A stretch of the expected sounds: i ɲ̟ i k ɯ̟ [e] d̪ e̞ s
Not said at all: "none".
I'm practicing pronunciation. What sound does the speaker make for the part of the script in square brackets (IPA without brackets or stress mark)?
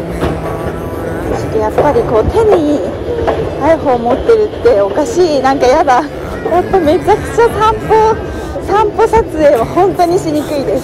i